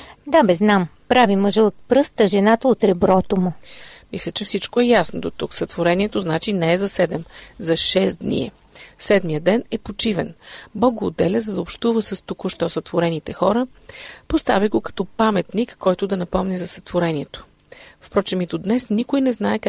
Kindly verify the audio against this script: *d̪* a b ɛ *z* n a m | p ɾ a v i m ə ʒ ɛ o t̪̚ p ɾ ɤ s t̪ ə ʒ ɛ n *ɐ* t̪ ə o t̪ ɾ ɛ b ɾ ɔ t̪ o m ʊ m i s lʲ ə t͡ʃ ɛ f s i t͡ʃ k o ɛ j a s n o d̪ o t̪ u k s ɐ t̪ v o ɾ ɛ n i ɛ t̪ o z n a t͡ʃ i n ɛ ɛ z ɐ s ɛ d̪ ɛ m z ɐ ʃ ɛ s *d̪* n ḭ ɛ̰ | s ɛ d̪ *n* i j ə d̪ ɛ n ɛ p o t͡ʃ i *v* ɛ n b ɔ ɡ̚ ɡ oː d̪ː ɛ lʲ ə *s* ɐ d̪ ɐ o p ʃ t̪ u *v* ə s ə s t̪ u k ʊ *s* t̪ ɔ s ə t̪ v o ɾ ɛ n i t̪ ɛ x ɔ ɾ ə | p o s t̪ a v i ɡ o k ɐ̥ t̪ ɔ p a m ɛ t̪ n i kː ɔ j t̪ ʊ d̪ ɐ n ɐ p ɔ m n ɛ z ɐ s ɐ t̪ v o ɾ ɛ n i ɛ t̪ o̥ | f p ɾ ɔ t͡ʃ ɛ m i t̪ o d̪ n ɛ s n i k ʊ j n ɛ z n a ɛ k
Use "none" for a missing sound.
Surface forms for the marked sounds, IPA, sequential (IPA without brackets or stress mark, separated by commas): d̪, z, a, d̪, m, v, z, v, ʃ